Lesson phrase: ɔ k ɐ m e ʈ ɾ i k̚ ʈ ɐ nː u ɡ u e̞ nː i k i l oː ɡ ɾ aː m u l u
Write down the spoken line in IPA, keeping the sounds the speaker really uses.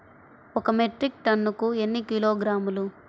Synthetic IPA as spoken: ɔ k ɐ m e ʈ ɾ i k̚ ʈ ɐ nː u k u e̞ nː i k i l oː ɡ ɾ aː m u l u